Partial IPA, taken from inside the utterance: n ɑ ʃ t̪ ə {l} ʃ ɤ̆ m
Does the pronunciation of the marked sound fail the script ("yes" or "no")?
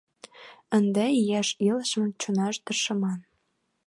yes